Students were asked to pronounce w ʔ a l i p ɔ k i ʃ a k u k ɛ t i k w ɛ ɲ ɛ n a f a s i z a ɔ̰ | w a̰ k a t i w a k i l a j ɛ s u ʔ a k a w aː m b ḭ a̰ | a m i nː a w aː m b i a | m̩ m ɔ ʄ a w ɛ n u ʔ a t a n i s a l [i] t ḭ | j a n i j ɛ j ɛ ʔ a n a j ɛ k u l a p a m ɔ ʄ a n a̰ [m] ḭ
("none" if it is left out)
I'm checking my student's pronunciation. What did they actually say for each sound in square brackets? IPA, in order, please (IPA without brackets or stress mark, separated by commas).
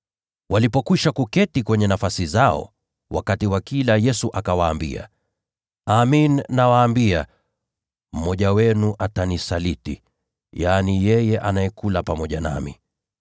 i, m